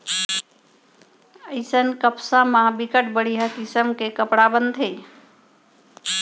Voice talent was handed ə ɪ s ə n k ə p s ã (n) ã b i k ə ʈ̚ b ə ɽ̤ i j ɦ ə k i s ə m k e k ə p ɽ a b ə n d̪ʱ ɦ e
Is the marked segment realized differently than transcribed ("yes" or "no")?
yes